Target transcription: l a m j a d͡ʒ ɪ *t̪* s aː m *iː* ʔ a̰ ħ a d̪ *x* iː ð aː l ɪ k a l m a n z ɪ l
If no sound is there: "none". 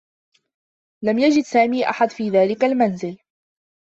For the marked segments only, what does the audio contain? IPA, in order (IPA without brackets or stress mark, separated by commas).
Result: d̪, iː, f